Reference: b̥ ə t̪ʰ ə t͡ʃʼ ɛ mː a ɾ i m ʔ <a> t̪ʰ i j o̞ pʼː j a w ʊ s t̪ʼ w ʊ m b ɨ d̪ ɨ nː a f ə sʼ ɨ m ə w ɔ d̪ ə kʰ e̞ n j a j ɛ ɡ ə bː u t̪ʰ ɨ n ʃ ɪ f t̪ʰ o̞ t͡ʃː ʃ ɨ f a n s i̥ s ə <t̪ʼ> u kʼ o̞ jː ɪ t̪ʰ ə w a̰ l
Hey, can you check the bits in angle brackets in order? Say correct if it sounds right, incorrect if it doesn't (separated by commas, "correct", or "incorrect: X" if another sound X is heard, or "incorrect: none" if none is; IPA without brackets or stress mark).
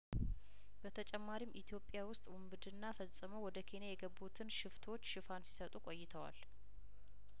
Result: incorrect: i, correct